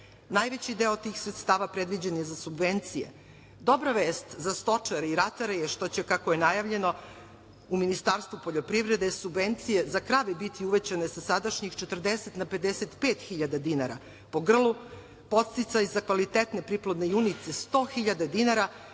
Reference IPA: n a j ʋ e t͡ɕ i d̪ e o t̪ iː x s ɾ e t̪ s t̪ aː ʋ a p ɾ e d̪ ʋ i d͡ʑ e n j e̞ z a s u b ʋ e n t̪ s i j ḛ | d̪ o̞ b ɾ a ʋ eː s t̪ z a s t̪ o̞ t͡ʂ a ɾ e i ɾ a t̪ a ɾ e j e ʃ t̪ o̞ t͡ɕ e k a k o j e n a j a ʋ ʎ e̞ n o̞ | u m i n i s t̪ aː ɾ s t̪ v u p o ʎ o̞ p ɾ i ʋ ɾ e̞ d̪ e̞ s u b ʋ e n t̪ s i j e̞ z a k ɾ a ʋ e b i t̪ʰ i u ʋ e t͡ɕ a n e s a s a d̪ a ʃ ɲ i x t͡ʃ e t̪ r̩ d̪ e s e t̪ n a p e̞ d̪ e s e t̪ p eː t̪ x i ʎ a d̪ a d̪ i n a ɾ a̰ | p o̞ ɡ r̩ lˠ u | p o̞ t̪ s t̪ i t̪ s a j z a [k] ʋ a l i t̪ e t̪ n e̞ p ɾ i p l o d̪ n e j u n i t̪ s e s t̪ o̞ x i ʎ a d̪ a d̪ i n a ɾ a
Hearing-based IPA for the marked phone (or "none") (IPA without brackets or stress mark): k